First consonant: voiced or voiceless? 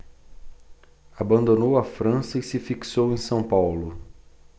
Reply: voiced